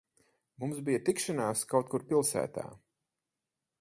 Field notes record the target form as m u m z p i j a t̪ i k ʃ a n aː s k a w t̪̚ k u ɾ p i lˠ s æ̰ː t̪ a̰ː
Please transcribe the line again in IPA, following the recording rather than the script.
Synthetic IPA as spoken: m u m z b i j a t̪ i k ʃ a n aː s k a w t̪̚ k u ɾ p i lˠ s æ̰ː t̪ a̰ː